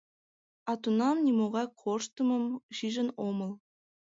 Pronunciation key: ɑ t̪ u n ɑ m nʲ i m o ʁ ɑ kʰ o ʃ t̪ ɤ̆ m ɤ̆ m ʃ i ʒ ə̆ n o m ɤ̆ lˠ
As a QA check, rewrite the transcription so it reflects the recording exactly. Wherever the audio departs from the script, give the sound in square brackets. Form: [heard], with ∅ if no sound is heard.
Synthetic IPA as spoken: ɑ t̪ u n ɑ m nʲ i m o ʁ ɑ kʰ o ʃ t̪ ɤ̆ m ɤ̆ m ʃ i ʒ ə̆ n o m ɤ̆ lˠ

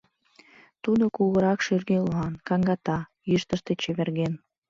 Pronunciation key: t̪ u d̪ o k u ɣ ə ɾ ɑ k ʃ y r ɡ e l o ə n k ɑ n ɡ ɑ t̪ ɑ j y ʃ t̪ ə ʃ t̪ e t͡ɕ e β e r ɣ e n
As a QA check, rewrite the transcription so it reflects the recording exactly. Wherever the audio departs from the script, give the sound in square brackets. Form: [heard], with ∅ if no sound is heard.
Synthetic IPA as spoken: t̪ u d̪ o k u ɣ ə ɾ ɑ k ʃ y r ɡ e l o [ɑ] n k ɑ [ŋ] ɡ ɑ t̪ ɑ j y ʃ t̪ ə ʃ t̪ e t͡ɕ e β e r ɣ e n

